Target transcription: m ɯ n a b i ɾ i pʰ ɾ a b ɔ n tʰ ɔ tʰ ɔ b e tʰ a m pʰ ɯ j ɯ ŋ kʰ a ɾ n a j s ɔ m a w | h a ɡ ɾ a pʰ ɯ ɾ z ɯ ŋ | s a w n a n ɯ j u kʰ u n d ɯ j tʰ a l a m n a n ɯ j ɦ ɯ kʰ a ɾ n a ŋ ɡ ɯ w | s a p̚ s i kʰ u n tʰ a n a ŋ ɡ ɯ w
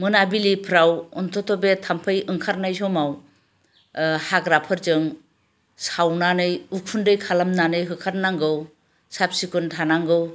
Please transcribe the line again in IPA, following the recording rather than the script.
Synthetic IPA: m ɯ n a b i l i pʰ ɾ a w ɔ n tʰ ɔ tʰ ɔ b e tʰ a m pʰ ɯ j ɯ ŋ kʰ a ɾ n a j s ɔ m a w | h a ɡ ɾ a pʰ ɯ ɾ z ɯ ŋ | s a w n a n ɯ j u kʰ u n d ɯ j kʰ a l a m n a n ɯ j ɦ ɯ kʰ a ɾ n a ŋ ɡ ɯ w | s a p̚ s i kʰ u n tʰ a n a ŋ ɡ ɯ w